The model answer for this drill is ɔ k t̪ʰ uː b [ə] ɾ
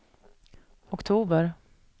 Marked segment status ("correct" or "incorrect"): correct